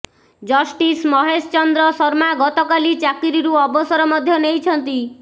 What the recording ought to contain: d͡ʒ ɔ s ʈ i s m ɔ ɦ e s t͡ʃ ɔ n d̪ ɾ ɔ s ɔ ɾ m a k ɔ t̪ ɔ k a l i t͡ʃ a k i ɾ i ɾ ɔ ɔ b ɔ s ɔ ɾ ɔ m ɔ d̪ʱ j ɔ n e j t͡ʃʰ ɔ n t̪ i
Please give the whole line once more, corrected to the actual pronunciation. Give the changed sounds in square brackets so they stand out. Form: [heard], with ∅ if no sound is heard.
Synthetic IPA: d͡ʒ ɔ s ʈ i s m ɔ ɦ e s t͡ʃ ɔ n d̪ ɾ ɔ s ɔ ɾ m a [ɡ] ɔ t̪ ɔ k a l i t͡ʃ a k i ɾ i ɾ [u] ɔ b ɔ s ɔ ɾ ɔ m ɔ d̪ʱ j ɔ n e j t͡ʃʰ ɔ n t̪ i